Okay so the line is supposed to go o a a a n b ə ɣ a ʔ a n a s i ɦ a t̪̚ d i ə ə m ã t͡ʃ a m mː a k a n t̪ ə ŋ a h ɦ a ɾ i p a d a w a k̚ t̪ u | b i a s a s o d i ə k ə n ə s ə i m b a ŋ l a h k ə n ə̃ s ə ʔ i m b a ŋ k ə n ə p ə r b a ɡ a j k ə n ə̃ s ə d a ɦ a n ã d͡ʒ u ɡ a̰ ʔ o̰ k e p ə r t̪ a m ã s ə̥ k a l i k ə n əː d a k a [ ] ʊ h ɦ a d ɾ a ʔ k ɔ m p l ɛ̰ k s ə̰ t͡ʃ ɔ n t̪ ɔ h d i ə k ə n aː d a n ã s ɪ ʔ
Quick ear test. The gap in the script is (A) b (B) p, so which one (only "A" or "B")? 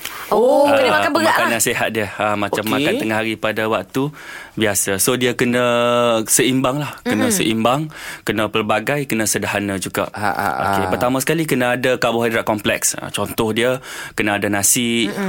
A